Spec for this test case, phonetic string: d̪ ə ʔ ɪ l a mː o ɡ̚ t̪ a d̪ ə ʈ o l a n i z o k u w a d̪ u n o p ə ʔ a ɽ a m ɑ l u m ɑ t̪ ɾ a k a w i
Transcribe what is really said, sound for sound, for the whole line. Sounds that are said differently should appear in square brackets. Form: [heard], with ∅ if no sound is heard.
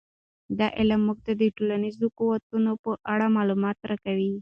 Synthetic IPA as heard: d̪ [ɑ] ʔ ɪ l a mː [u] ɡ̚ t̪ a d̪ ə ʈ o l a n i z o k u w a [t̪] u n o p ə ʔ a ɽ a m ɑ l u m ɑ t̪ ɾ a k a w i